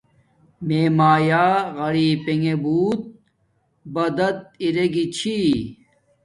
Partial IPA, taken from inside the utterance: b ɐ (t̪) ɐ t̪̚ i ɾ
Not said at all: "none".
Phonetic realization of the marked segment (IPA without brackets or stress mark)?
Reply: d̪